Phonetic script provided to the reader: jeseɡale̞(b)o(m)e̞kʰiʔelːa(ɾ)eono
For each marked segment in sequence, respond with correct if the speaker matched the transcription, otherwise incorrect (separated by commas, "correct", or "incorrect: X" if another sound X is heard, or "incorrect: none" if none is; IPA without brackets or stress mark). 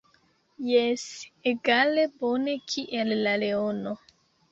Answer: correct, incorrect: n, incorrect: l